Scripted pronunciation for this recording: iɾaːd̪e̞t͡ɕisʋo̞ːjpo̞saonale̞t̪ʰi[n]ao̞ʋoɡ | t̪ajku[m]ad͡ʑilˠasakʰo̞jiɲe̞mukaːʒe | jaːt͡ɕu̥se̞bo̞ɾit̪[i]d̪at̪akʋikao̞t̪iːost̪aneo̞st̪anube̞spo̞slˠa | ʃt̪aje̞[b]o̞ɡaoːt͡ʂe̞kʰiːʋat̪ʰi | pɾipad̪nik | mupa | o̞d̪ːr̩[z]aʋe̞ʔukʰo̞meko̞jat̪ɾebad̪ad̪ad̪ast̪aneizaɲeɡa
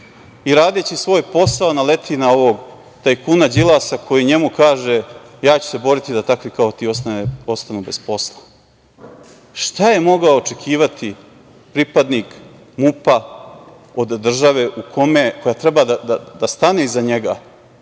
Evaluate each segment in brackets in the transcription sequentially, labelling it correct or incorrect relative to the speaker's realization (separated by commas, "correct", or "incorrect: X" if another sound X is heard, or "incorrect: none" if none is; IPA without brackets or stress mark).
correct, incorrect: n, correct, incorrect: m, incorrect: ʒ